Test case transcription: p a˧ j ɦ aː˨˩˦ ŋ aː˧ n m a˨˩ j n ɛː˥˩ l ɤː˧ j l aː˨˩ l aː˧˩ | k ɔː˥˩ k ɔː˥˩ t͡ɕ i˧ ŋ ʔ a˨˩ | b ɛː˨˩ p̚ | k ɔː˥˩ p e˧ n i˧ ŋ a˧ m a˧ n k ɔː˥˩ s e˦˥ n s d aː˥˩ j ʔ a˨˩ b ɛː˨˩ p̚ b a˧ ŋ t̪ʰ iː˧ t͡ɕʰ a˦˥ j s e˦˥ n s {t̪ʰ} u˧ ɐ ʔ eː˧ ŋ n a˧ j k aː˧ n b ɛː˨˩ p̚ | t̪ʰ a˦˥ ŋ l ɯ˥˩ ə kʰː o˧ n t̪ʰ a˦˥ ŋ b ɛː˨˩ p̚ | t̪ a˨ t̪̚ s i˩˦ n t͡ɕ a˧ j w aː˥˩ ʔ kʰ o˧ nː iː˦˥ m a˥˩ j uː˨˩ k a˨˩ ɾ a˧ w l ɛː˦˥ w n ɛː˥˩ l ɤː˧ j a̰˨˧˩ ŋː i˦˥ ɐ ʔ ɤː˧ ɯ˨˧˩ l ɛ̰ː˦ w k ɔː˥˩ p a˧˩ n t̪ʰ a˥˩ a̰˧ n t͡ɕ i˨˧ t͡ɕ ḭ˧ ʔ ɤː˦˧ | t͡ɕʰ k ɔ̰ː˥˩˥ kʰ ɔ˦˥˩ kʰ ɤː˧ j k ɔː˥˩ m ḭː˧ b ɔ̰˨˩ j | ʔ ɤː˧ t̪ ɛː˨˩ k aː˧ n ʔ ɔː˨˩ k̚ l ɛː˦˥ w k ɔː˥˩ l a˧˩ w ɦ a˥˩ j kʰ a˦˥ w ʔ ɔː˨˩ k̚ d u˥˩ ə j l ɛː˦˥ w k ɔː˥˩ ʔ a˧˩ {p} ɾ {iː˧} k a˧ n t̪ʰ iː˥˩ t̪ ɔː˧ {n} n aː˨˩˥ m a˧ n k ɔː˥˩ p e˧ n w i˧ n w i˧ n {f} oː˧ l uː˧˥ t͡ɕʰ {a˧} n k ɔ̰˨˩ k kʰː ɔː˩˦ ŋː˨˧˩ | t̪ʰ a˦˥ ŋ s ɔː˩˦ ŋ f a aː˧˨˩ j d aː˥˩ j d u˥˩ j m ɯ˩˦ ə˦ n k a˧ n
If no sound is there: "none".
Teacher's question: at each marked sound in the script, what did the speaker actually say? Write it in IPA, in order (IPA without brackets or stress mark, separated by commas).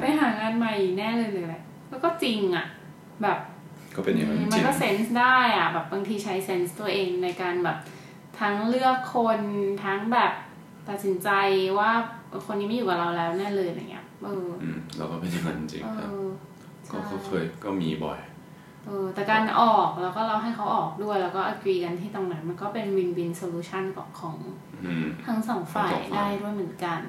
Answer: t̪, k, iː˧, ŋ, s, a˥˩